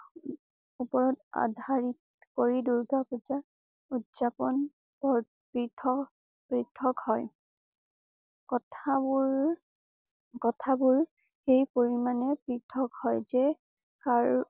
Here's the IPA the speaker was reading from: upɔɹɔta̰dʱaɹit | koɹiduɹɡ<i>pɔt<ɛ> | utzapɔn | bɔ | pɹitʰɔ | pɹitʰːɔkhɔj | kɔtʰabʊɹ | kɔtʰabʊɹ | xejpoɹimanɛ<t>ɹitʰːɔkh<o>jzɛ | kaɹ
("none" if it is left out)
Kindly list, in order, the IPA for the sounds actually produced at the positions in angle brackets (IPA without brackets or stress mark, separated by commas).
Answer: a, a, p, ɔ